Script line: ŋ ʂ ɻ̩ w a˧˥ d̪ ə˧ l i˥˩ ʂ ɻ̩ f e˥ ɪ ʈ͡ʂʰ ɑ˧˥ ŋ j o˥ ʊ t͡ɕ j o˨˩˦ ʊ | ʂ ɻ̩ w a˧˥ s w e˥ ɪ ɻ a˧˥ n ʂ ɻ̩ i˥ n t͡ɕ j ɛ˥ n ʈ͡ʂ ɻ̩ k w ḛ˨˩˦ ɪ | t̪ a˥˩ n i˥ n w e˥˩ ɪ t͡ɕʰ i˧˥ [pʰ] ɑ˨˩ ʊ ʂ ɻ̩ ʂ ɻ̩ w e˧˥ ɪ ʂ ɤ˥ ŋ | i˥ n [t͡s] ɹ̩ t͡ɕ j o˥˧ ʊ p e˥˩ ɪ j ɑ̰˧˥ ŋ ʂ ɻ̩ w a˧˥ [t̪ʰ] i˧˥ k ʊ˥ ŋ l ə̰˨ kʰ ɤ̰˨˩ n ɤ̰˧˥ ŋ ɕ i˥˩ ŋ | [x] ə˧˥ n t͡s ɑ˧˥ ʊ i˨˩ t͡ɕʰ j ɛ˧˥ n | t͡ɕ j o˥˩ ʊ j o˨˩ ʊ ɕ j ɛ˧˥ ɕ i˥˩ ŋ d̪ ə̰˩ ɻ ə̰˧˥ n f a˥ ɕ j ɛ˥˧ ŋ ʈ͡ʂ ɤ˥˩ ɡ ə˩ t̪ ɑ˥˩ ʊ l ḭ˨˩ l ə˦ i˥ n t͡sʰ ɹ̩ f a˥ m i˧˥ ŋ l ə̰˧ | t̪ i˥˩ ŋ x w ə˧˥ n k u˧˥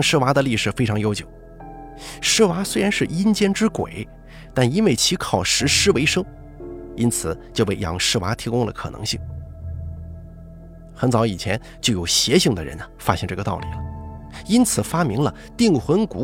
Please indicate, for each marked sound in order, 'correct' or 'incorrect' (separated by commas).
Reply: incorrect, incorrect, correct, correct